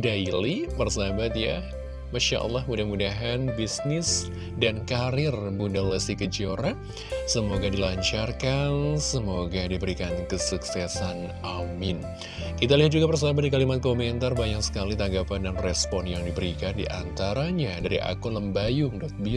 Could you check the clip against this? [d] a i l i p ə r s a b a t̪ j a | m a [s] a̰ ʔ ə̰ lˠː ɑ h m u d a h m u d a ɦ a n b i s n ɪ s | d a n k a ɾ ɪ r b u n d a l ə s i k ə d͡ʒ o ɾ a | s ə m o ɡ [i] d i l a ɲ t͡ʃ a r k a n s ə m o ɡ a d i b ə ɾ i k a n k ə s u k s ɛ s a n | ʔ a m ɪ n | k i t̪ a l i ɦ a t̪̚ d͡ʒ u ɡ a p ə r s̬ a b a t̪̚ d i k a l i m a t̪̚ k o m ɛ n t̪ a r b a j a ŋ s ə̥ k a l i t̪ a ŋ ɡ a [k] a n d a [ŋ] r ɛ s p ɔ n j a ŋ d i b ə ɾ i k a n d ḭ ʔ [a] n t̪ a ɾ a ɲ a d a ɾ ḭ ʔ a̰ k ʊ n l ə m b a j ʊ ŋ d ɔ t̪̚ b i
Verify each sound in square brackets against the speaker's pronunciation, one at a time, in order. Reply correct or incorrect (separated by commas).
correct, incorrect, incorrect, incorrect, incorrect, correct